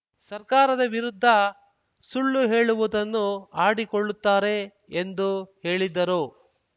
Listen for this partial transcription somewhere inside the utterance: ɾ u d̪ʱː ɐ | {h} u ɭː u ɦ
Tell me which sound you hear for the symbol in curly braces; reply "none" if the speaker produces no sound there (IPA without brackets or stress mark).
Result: s